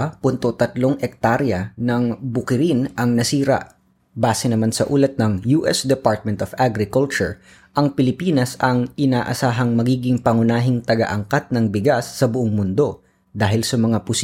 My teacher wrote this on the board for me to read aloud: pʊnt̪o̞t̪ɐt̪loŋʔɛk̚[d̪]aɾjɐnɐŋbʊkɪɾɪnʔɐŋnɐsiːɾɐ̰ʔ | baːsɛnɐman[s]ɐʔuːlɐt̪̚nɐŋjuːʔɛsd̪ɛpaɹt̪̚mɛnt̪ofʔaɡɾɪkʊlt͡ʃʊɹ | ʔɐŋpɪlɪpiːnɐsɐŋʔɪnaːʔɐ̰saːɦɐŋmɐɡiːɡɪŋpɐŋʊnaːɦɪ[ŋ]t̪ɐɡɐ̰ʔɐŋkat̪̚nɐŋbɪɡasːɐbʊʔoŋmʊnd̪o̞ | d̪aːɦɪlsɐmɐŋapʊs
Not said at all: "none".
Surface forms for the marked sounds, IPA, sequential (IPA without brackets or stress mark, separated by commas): t̪, s, ŋ